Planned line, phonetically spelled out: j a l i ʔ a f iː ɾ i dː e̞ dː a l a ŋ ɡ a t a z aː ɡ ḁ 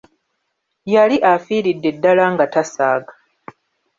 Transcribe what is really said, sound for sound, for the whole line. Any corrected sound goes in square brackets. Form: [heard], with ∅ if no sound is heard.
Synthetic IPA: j a l i ʔ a f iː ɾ i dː e̞ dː a l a ŋ ɡ a t a [s] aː ɡ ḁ